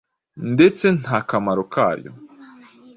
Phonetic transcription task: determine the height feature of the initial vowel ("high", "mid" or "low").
mid